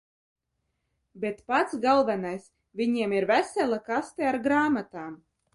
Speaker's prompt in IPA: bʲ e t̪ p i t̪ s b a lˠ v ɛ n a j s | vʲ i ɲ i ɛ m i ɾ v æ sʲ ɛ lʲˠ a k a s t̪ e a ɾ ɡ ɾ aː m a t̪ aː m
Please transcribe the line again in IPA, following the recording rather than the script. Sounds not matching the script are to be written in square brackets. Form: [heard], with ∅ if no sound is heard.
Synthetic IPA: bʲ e t̪ p [a] t̪ s [ɡ] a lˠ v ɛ n a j s | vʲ i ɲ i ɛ m i ɾ v æ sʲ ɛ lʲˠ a k a s t̪ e a ɾ ɡ ɾ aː m a t̪ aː m